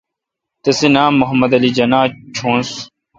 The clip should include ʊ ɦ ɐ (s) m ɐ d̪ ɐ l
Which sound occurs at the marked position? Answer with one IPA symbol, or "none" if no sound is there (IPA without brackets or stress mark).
none